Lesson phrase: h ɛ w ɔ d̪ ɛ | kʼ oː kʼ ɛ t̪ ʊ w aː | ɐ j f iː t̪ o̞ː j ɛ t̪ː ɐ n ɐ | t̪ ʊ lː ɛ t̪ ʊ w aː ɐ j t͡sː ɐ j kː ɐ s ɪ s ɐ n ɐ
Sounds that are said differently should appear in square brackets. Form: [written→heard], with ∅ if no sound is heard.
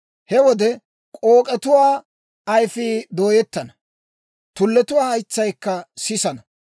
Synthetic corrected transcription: h ɛ w ɔ d̪ ɛ | kʼ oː kʼ ɛ t̪ ʊ w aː | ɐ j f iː [t̪→d̪] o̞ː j ɛ t̪ː ɐ n ɐ | t̪ ʊ lː ɛ t̪ ʊ w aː ɐ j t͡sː ɐ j kː ɐ s ɪ s ɐ n ɐ